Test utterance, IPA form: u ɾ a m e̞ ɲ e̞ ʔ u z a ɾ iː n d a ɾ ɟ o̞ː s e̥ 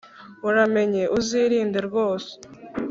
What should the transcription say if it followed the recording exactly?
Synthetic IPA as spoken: u ɾ a m e̞ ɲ e̞ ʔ u z i ɾ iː n d e ɾ ɡ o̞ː s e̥